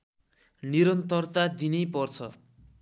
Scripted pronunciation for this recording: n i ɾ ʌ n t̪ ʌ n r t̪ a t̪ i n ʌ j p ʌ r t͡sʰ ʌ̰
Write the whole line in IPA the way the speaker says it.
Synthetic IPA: n i ɾ ʌ n t̪ ʌ r t̪ a d̪ i n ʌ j p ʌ r t͡sʰ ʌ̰